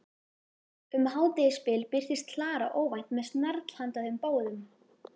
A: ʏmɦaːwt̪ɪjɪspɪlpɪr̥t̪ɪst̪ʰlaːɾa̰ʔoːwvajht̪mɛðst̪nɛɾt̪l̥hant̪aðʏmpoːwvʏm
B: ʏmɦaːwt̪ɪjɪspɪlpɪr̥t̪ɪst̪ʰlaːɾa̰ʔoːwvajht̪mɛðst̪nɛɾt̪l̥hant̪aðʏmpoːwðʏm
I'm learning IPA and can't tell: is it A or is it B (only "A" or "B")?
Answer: B